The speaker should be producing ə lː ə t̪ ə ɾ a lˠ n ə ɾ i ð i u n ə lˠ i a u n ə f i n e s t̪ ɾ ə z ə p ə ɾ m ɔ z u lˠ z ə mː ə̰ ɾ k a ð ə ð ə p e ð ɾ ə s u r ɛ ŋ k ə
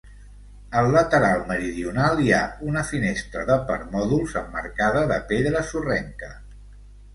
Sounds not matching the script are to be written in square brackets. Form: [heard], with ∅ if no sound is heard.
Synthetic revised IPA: ə lː ə t̪ ə ɾ a lˠ [m] ə ɾ i ð i u n [a] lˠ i a u n ə f i n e s t̪ ɾ ə [ð] ə p ə ɾ m ɔ [ð] u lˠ z ə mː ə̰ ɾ k a ð ə ð ə p e ð ɾ ə s u r ɛ ŋ k ə